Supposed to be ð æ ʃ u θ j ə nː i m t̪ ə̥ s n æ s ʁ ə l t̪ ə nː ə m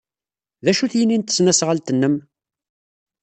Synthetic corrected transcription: ð æ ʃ u θ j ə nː i n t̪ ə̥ s n æ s ʁ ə l t̪ ə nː ə m